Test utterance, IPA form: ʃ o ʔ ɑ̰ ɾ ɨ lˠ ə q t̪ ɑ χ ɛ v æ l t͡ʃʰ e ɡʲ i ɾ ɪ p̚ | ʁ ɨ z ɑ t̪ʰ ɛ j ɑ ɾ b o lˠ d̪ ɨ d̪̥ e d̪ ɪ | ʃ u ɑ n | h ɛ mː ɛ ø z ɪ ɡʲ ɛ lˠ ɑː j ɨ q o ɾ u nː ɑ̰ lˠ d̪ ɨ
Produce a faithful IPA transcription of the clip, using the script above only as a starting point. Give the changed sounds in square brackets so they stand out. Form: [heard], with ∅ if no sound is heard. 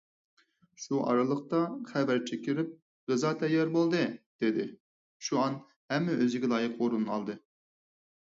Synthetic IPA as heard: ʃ [u] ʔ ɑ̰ ɾ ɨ lˠ ə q t̪ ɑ χ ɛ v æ [ɾ] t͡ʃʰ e [kʲ] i ɾ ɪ p̚ | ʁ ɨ z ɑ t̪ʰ ɛ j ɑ ɾ b o lˠ d̪ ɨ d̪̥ e d̪ ɪ | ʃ u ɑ n | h ɛ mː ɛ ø z ɪ ɡʲ ɛ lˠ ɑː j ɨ q o ɾ u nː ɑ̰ lˠ d̪ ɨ